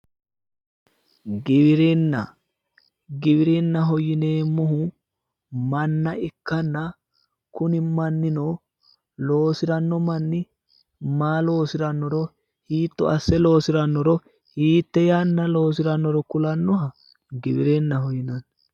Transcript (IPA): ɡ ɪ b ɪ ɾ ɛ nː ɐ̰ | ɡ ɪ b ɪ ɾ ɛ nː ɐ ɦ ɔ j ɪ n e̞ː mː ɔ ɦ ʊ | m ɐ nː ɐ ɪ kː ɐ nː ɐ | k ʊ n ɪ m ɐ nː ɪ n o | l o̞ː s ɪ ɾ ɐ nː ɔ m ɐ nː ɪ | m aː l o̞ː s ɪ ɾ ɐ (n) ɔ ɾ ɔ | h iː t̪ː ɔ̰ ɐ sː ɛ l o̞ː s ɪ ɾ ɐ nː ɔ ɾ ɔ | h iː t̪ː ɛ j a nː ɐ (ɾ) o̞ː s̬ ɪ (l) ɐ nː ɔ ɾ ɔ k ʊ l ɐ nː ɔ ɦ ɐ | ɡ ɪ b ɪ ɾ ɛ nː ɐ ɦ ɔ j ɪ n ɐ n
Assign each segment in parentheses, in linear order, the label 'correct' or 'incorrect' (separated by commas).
incorrect, incorrect, incorrect